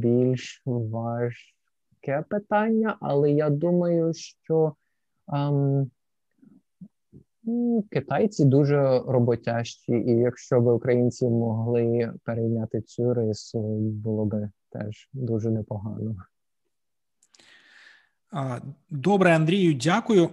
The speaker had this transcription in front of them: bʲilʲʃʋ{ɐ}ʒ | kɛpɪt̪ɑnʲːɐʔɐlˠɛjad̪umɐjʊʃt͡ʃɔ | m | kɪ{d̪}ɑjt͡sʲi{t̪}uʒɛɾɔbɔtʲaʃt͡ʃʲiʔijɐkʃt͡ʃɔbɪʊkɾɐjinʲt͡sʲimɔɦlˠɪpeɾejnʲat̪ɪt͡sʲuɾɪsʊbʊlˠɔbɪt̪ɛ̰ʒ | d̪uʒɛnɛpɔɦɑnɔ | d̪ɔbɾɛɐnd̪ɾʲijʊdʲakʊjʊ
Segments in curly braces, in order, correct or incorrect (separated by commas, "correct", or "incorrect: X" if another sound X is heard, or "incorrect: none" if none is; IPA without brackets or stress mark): incorrect: ɑ, incorrect: t̪, incorrect: d̪